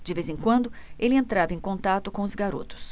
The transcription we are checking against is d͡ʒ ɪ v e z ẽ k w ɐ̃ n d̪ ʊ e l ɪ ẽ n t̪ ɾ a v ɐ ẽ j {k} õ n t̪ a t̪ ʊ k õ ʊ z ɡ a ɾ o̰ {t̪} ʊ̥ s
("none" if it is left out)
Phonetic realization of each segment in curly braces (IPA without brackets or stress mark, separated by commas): k, t̪